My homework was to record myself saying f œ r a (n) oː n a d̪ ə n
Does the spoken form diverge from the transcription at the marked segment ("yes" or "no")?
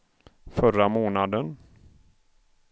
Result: yes